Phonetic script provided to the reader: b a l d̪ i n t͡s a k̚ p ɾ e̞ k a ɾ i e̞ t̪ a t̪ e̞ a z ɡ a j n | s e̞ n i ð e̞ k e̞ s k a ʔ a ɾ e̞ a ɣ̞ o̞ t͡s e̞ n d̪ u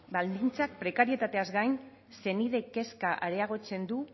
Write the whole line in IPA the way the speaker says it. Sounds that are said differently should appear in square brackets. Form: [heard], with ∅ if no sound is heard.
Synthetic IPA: b a l d̪ i n t͡s a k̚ p ɾ e̞ k a ɾ i e̞ t̪ a t̪ e̞ a z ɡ a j n | s e̞ n i ð e̞ k e̞ s k a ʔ a ɾ e̞ a ɣ̞ o̞ t͡s e̞ n d̪ u